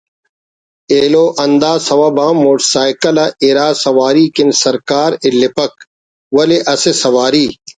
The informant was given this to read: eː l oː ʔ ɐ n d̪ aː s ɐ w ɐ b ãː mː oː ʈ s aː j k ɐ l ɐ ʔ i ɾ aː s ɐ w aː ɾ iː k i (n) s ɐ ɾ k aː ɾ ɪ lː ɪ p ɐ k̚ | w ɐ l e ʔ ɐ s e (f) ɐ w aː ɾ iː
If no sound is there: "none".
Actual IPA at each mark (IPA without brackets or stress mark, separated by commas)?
n, s